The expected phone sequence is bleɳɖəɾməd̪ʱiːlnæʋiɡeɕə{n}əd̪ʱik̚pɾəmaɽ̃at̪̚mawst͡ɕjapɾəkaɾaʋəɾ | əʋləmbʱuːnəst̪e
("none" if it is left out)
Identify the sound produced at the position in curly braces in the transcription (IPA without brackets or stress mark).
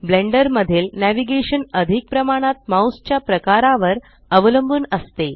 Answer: n